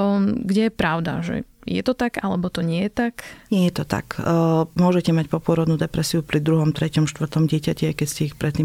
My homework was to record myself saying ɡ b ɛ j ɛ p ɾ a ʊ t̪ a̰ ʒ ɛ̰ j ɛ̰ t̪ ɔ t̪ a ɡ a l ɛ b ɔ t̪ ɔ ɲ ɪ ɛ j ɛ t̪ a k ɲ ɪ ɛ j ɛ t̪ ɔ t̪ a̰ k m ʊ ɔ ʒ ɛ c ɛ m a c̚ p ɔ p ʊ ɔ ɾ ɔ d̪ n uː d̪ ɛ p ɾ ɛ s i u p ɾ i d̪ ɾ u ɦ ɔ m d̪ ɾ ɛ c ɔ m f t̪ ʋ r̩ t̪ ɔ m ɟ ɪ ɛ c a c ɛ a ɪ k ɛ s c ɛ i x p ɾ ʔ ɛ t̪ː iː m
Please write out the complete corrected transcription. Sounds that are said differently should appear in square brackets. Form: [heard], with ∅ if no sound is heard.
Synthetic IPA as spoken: ɡ [ɟ] ɛ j ɛ p ɾ a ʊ [d̪] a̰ ʒ ɛ̰ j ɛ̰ t̪ ɔ t̪ a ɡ a l ɛ b ɔ t̪ ɔ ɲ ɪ ɛ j ɛ t̪ a k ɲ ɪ ɛ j ɛ t̪ ɔ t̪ a̰ k m ʊ ɔ ʒ ɛ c ɛ m a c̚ p ɔ p ʊ ɔ ɾ ɔ d̪ n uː d̪ ɛ p ɾ ɛ s i u p ɾ i d̪ ɾ u ɦ ɔ m [t̪] ɾ ɛ c ɔ m [ʃ] t̪ ʋ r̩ t̪ ɔ m ɟ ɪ ɛ c a c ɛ a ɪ k ɛ s c ɛ i x p ɾ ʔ ɛ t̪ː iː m